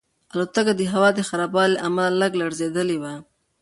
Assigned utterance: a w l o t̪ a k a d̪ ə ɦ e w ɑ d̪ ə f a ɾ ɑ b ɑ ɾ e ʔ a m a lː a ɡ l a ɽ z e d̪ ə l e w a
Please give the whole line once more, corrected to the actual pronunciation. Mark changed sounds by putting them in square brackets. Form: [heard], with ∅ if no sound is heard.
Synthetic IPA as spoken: a [∅] l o t̪ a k a d̪ ə ɦ [a] w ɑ d̪ ə [x] a ɾ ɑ b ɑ [l] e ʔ a m a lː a ɡ l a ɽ z e d̪ ə l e w a